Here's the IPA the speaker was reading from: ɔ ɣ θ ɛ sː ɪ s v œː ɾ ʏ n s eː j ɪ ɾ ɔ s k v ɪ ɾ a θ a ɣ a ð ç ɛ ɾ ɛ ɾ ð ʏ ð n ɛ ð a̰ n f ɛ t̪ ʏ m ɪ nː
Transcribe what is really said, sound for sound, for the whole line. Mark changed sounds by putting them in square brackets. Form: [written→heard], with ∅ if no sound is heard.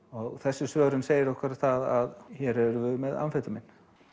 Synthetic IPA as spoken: ɔ ɣ θ ɛ sː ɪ s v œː ɾ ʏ n s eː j ɪ ɾ ɔ [s→h] k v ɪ ɾ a θ a [ɣ→ð] a ð ç ɛ ɾ ɛ ɾ [ð→v] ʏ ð [n→m] ɛ ð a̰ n f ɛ t̪ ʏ m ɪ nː